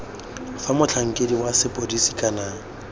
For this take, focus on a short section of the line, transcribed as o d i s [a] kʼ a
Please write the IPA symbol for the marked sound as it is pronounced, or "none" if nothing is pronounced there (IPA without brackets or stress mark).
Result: i